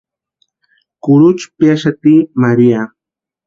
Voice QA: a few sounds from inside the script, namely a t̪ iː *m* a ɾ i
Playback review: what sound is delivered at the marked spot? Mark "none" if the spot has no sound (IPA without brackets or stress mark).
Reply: m